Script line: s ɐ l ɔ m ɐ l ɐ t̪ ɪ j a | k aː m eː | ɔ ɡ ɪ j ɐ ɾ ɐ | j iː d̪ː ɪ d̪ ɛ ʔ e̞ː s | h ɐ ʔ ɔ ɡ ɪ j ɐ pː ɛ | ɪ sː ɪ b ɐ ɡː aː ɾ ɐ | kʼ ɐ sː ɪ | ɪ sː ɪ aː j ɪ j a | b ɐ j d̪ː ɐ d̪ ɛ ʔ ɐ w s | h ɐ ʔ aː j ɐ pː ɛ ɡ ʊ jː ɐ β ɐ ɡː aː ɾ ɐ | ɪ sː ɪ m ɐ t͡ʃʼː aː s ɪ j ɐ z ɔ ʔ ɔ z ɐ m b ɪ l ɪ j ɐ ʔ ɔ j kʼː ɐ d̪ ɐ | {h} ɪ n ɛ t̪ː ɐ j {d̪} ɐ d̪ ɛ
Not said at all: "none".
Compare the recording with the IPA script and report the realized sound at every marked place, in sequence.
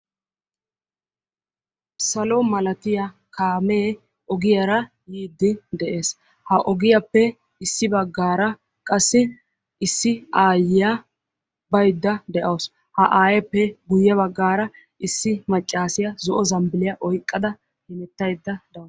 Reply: h, d̪ː

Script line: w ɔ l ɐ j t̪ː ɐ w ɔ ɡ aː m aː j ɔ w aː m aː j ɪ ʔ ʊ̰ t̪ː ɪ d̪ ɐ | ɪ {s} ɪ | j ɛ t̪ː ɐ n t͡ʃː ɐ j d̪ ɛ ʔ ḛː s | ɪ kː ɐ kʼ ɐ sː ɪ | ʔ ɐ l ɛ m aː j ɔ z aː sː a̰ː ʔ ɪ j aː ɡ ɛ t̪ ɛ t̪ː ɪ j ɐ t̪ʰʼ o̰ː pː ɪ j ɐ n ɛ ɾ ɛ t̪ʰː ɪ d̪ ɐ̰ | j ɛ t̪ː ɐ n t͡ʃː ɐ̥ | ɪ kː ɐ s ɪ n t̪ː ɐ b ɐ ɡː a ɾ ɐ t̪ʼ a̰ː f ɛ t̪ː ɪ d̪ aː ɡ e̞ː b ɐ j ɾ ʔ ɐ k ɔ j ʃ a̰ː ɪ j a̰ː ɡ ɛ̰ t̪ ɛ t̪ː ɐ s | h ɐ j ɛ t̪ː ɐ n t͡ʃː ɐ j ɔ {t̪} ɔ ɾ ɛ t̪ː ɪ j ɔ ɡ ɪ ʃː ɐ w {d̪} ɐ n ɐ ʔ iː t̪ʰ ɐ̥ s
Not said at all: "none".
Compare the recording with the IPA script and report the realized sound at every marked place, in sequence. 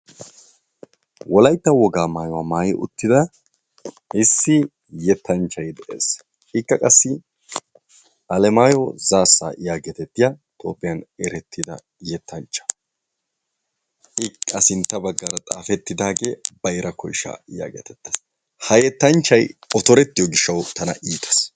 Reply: sː, t̪, t̪

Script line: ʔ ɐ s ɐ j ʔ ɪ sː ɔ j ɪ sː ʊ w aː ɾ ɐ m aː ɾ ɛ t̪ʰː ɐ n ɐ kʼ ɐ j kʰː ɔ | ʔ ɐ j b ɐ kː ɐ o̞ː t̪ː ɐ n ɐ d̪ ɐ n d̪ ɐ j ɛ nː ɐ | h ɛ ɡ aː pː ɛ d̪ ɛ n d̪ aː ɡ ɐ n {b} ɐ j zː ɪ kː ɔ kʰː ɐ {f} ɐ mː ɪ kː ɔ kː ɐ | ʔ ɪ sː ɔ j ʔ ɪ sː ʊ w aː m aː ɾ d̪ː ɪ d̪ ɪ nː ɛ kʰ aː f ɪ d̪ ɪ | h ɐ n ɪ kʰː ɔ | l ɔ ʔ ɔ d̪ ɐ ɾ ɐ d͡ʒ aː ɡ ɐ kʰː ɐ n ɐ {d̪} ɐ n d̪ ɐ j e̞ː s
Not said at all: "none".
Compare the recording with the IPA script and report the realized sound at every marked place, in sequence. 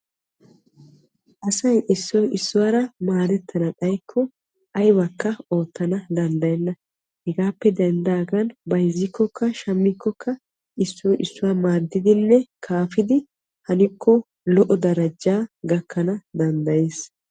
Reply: b, ʃ, d̪

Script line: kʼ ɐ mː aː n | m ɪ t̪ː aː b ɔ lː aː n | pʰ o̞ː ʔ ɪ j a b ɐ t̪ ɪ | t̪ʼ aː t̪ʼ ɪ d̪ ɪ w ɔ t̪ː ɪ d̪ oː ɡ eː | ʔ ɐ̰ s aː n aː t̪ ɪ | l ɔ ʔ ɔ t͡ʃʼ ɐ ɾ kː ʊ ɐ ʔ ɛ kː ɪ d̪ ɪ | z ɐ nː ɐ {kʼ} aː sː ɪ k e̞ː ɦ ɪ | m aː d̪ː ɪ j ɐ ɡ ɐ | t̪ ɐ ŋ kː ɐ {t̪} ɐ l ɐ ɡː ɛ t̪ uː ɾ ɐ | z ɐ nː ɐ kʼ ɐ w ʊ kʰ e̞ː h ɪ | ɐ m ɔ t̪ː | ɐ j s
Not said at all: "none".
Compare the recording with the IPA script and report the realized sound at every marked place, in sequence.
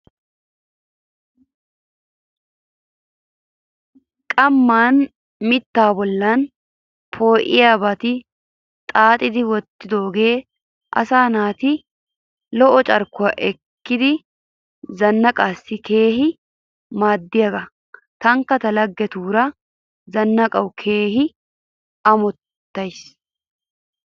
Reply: kʼ, t̪

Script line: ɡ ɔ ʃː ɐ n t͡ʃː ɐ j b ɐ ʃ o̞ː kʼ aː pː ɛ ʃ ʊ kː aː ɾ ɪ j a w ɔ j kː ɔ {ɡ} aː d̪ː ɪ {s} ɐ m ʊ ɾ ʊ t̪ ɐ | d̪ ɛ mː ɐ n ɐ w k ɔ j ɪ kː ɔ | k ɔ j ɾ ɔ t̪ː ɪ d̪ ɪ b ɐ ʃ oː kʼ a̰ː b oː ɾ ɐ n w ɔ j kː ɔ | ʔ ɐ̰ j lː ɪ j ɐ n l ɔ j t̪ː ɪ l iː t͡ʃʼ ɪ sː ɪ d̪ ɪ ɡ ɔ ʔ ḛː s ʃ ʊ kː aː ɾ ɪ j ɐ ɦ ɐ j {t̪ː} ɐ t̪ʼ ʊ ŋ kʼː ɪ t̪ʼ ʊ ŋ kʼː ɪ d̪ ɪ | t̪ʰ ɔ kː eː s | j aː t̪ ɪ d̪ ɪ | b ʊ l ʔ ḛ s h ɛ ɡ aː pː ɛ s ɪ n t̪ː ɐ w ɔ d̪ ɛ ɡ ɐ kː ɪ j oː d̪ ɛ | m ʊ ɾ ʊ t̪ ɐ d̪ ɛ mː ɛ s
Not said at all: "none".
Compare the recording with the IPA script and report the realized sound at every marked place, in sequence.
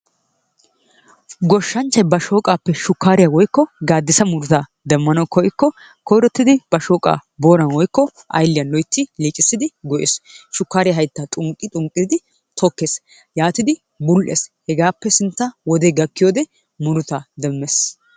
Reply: ɡ, s, t̪ː

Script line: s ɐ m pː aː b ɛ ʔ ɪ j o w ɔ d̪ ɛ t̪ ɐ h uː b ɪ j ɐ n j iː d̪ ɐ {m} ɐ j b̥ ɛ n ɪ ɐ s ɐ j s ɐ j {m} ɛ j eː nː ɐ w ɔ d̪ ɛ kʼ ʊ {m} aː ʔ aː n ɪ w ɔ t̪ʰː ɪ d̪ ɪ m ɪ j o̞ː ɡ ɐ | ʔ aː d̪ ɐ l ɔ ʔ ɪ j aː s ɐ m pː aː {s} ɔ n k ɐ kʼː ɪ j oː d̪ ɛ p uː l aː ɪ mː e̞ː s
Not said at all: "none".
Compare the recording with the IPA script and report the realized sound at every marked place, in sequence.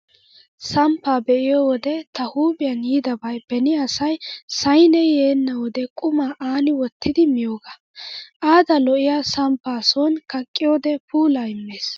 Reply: b, n, m, s

